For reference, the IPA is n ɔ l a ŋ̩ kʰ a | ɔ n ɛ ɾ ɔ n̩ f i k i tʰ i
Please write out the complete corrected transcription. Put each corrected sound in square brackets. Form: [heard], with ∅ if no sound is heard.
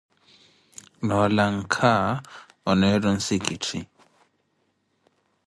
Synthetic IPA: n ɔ l a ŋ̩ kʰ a | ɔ n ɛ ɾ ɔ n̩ [s] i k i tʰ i